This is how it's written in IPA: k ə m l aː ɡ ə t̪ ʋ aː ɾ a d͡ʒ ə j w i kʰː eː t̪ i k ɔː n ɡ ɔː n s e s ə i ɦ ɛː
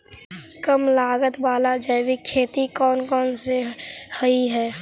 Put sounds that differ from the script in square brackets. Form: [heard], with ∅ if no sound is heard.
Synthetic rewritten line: k ə m l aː ɡ ə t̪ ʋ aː [l] a d͡ʒ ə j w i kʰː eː t̪ i k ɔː n [k] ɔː n s e [h] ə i ɦ ɛː